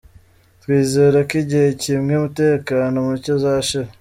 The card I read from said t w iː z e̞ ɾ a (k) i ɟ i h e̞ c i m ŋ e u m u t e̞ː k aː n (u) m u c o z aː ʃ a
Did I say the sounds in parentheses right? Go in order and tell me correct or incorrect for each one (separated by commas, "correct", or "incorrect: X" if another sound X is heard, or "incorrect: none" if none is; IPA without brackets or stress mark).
correct, incorrect: o